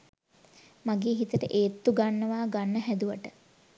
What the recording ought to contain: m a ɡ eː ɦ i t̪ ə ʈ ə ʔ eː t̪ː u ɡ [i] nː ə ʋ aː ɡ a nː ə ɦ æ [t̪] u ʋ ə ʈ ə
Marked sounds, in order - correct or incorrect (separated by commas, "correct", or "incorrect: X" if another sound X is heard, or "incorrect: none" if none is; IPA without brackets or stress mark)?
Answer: incorrect: a, incorrect: d̪